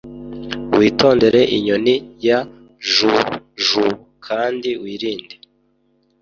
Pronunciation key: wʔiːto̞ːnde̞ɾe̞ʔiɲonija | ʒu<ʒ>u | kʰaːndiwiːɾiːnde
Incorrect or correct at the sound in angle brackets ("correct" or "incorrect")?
correct